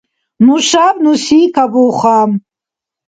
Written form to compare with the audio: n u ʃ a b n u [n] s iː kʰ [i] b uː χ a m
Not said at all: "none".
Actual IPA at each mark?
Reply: none, a

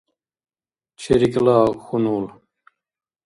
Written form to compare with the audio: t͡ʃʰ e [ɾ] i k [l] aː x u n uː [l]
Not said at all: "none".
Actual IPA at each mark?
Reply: ɾ, l, l

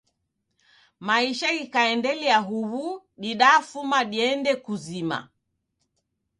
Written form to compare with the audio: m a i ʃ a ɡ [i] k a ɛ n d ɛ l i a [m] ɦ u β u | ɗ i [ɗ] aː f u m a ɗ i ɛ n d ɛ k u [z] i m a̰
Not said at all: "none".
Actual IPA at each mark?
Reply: i, none, ɗ, z

